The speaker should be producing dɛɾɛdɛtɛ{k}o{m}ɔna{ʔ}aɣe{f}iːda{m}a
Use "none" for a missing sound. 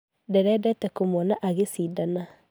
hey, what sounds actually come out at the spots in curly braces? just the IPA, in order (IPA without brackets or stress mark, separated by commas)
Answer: k, m, ʔ, s, n